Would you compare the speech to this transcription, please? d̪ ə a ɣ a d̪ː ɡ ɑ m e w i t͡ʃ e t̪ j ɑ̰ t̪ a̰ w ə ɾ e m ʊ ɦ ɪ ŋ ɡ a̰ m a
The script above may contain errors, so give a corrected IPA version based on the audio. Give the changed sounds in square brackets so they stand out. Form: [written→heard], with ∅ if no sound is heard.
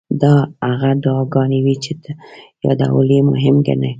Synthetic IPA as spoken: d̪ [ə→ɑ] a ɣ a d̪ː ɡ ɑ [m→n] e w i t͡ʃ e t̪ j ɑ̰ [t̪→d̪] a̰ w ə [ɾ→l] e m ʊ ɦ ɪ [ŋ→m] ɡ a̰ [m→n] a